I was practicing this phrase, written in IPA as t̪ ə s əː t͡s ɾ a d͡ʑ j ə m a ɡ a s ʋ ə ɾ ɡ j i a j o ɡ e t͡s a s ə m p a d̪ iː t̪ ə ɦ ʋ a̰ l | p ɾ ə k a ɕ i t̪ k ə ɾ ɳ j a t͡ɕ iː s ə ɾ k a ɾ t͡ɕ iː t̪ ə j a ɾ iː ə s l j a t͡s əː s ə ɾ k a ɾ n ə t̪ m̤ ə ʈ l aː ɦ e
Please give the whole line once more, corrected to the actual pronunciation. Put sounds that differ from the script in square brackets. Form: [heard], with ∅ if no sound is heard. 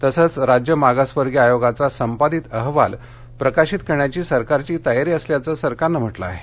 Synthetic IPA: t̪ ə s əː t͡s ɾ a d͡ʑ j ə m a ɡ a s ʋ ə ɾ ɡ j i a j o ɡ [a] t͡s a s ə m p a d̪ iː t̪ ə ɦ ʋ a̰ l | p ɾ ə k a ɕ i t̪ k ə ɾ ɳ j a t͡ɕ iː s ə ɾ k a ɾ t͡ɕ iː t̪ ə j a ɾ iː ə s l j a t͡s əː s ə ɾ k a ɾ n ə [∅] m̤ ə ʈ l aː ɦ e